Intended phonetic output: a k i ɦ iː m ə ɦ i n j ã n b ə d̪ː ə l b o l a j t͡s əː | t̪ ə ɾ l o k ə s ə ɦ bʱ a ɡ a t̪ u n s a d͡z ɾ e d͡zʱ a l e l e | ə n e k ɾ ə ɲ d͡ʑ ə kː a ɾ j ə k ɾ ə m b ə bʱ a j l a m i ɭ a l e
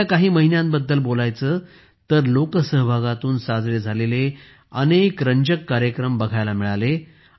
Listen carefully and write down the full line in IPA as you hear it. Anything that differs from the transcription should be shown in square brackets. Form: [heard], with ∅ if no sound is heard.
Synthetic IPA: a k [a] ɦ iː m ə ɦ i n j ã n b ə d̪ː ə l b o l a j t͡s əː | t̪ ə ɾ l o k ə s ə ɦ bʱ a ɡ a t̪ [uː] n s a d͡z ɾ e d͡zʱ a l e l e | ə n e k ɾ ə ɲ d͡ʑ ə kː a ɾ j ə k ɾ ə m b ə [ɡʱ] a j l a m i ɭ a l e